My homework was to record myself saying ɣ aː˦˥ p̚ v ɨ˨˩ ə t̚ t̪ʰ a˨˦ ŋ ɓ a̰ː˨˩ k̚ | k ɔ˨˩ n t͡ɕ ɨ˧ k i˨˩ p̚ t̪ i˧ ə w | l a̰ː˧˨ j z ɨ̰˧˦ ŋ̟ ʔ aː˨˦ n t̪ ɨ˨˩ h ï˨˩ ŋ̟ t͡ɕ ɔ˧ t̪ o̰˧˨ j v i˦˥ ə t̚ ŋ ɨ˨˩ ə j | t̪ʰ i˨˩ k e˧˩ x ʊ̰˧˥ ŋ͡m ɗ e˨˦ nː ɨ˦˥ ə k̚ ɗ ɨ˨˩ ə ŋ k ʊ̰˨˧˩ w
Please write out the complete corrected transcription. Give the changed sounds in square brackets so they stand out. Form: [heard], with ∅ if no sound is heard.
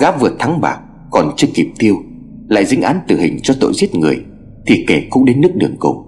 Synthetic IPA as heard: ɣ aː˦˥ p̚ v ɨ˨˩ ə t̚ t̪ʰ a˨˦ ŋ ɓ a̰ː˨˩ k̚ | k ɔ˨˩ n t͡ɕ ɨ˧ k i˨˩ p̚ t̪ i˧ ə w | l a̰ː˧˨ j z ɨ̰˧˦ ŋ̟ ʔ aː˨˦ n t̪ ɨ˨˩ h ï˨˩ ŋ̟ t͡ɕ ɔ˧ t̪ o̰˧˨ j [z] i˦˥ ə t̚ ŋ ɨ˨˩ ə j | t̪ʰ i˨˩ k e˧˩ [k] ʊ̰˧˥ ŋ͡m ɗ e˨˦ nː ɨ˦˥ ə k̚ ɗ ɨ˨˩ ə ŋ k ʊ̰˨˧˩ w